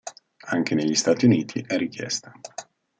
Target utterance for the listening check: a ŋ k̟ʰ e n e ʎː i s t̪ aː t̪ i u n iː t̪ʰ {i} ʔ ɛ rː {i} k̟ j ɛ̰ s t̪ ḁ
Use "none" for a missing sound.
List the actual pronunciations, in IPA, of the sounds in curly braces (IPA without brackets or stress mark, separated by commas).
i, i